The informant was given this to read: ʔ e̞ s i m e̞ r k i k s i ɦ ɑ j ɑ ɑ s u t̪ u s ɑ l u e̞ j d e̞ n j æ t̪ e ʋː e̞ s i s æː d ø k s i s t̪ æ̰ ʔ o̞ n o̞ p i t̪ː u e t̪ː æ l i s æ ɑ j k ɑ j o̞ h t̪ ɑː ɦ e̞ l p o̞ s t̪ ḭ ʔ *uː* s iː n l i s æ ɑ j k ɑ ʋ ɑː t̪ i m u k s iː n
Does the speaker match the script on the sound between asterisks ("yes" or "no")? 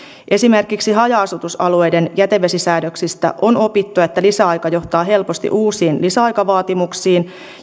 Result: yes